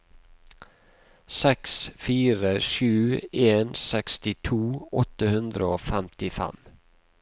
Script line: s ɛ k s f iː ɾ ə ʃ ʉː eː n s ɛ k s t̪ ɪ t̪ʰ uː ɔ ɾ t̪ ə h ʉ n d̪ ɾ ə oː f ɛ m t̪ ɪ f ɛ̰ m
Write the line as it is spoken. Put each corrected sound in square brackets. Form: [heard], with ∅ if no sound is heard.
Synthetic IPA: s ɛ k s f iː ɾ ə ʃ ʉː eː n s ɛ k s t̪ ɪ t̪ʰ uː ɔ [∅] t̪ ə h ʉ n d̪ ɾ ə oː f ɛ m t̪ ɪ f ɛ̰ m